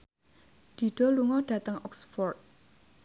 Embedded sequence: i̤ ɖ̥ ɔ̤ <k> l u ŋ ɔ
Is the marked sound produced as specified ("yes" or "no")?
no